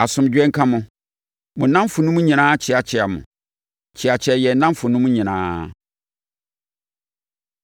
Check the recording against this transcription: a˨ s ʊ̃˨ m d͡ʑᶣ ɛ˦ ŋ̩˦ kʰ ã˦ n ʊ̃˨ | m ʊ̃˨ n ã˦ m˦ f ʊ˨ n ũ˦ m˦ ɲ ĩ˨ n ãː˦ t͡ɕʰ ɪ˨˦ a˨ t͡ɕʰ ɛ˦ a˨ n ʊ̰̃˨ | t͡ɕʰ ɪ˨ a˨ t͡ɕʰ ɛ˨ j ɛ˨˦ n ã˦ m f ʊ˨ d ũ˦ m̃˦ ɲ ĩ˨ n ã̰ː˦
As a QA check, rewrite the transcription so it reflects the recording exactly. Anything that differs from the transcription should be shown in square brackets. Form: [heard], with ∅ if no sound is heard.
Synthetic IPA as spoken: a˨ s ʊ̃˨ m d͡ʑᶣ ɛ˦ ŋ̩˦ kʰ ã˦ [m] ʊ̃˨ | m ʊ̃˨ n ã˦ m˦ f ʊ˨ n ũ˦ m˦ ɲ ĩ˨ n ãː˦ t͡ɕʰ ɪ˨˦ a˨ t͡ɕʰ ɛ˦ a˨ [m] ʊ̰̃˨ | t͡ɕʰ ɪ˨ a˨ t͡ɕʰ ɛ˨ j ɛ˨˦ n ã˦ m f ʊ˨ [n] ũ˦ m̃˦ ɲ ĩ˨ n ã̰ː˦

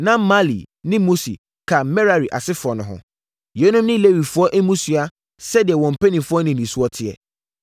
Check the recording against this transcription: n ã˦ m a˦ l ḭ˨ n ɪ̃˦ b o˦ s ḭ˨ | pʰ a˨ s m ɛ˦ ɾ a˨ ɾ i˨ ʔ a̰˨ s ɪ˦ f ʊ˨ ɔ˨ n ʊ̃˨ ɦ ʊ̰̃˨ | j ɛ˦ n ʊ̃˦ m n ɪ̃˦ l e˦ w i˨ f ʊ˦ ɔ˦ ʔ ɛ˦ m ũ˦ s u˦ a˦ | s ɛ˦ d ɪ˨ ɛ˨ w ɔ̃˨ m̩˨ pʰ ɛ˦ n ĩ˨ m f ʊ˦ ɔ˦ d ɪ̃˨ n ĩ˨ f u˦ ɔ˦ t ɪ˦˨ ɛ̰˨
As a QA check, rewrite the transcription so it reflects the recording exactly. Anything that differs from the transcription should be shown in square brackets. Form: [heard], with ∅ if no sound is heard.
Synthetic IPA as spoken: n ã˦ m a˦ l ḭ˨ n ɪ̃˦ [m] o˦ s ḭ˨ | [kʰ] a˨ [∅] m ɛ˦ ɾ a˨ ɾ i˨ ʔ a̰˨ s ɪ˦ f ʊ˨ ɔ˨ n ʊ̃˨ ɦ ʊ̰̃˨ | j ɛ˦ n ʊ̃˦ m n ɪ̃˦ l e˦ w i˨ f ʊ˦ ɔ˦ ʔ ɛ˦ m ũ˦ s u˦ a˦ | s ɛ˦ d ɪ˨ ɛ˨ w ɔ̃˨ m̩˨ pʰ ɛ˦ n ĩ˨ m f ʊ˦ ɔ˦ [n] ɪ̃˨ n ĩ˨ [s] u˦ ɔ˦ [tʰ] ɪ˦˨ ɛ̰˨

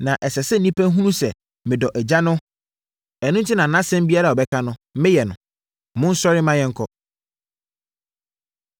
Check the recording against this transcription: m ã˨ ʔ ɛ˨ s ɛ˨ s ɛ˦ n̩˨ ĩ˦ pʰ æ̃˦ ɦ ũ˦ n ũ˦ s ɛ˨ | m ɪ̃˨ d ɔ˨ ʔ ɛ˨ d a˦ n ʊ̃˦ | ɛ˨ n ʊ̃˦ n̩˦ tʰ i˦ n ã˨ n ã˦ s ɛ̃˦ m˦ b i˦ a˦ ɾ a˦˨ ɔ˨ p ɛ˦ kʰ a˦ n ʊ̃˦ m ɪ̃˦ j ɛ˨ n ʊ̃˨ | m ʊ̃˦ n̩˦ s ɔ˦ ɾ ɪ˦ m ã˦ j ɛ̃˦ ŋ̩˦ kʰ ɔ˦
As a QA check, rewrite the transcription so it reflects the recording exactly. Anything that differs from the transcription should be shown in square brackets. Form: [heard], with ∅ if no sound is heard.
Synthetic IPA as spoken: [n] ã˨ ʔ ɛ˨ s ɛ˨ s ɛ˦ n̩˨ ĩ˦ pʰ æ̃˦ ɦ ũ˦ n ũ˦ s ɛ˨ | m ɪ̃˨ d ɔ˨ ʔ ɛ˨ [d͡ʑ] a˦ n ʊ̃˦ | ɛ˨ n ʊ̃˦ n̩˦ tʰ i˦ n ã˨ n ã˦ s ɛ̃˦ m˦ b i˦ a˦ ɾ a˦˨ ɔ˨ [b] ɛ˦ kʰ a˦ n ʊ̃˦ m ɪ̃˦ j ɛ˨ n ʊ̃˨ | m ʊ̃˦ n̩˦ s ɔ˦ ɾ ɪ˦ m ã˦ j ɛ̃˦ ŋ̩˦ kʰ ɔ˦

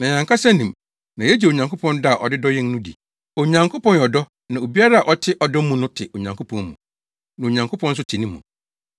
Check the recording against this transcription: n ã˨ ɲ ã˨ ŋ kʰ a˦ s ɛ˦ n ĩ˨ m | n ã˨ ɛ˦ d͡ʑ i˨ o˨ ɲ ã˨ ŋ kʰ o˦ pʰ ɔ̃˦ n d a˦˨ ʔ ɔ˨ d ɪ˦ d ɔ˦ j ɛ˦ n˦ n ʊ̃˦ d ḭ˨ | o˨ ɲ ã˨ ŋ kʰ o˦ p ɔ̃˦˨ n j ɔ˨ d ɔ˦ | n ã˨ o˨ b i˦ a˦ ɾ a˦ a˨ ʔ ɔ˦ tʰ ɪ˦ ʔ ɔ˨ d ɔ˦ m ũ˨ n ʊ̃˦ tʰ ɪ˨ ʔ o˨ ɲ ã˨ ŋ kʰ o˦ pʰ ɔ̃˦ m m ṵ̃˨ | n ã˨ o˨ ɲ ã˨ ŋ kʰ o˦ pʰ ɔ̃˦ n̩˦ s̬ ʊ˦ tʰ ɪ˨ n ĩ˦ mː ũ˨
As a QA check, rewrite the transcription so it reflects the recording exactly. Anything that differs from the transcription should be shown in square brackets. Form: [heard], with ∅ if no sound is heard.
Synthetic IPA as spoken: n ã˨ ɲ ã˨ ŋ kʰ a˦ s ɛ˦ n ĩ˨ m | n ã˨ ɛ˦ d͡ʑ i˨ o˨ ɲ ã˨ ŋ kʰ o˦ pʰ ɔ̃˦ n d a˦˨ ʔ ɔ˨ d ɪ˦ d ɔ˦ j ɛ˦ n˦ n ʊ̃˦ d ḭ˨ | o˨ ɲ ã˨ ŋ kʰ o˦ p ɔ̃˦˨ n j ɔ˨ d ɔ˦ | n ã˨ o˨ b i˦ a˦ ɾ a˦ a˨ ʔ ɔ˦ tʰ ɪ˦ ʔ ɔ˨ d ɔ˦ m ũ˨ n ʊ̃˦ tʰ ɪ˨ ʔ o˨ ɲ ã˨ ŋ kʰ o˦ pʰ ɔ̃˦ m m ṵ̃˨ | n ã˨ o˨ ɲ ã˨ ŋ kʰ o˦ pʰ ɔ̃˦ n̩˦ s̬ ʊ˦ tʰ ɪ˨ n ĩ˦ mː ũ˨

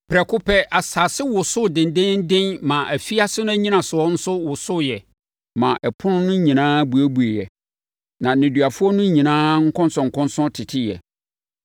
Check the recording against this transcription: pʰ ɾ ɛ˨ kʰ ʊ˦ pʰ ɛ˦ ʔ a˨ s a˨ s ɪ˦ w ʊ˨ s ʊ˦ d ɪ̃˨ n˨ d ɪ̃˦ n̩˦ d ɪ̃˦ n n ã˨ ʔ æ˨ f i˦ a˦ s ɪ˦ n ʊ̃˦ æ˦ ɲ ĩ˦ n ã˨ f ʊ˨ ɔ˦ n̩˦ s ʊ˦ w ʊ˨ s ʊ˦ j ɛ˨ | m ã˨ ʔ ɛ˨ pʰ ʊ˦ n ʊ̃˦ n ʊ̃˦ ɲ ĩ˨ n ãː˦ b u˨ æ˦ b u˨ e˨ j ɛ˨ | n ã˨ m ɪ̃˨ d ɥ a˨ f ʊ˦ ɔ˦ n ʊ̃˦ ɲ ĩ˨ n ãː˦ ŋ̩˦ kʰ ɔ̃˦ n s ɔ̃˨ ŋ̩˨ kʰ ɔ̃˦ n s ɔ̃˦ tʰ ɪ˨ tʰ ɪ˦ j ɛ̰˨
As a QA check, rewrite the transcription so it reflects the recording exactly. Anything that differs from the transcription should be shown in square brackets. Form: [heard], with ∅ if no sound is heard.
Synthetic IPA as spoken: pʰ ɾ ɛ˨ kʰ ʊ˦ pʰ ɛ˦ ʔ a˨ s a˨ s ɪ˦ w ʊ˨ s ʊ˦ d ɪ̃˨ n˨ d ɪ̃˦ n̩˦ d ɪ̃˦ n [m] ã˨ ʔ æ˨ f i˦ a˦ s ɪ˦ n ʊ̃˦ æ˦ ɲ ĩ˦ n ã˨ [s] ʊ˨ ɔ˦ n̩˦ s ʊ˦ w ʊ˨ s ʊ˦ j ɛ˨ | m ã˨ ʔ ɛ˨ pʰ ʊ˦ n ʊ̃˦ n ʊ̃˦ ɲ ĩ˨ n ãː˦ b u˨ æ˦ b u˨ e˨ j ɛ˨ | n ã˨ [n] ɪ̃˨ d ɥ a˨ f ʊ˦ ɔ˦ n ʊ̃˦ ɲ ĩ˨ n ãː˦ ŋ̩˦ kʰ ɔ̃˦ n s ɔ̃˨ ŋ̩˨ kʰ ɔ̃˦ n s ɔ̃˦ tʰ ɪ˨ tʰ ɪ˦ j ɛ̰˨

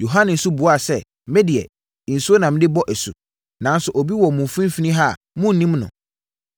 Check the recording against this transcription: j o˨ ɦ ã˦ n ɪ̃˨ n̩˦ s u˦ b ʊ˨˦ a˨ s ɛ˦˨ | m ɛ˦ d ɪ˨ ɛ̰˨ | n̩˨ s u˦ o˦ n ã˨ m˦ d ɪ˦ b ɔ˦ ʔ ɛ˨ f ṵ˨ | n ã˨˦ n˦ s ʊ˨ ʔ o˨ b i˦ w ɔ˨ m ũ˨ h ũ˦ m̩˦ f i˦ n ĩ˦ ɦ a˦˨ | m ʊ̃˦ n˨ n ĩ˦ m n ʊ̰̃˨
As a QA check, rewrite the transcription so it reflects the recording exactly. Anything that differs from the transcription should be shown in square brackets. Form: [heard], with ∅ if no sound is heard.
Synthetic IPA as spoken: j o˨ ɦ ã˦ n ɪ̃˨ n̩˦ s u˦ b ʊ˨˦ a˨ s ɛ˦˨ | m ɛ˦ d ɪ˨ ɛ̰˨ | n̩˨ s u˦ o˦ n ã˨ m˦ d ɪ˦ b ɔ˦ ʔ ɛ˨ [s] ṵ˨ | n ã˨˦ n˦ s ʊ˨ ʔ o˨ b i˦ w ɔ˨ m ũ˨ [f] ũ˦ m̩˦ f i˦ n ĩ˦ ɦ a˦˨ | m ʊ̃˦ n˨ n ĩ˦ m n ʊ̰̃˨

